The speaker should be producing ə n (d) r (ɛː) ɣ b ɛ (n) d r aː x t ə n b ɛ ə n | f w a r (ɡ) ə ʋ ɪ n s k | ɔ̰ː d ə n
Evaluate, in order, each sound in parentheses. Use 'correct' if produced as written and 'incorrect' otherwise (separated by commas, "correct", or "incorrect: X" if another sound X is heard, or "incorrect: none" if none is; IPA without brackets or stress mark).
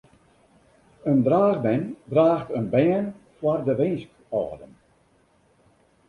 correct, incorrect: aː, correct, incorrect: d